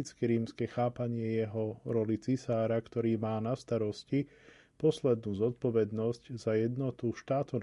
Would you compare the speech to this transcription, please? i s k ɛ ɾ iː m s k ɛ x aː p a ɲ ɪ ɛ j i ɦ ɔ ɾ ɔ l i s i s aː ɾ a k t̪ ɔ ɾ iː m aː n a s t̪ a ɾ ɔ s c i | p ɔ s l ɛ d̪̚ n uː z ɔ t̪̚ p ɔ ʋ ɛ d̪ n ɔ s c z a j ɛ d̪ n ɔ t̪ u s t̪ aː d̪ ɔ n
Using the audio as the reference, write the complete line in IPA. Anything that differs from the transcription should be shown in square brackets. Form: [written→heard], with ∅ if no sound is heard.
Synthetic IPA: i [s→t͡s] k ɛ ɾ iː m s k ɛ x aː p a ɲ ɪ ɛ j [i→ɛ] ɦ ɔ ɾ ɔ l i [s→t͡s] i s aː ɾ a k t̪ ɔ ɾ iː m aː n a s t̪ a ɾ ɔ s c i | p ɔ s l ɛ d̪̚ n uː z ɔ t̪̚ p ɔ ʋ ɛ d̪ n ɔ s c z a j ɛ d̪ n ɔ t̪ u [s→ʃ] t̪ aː [d̪→t̪] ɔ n